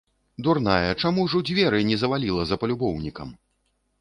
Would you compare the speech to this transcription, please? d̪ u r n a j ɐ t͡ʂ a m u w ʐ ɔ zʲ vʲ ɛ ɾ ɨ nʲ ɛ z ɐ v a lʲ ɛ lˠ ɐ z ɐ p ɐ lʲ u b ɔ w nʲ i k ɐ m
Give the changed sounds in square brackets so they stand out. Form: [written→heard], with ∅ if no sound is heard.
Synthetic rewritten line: d̪ u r n a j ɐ t͡ʂ a m u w ʐ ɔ [zʲ→d͡zʲ] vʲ ɛ ɾ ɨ nʲ ɛ z ɐ v a lʲ [ɛ→i] lˠ ɐ z ɐ p ɐ lʲ u b ɔ w nʲ i k ɐ m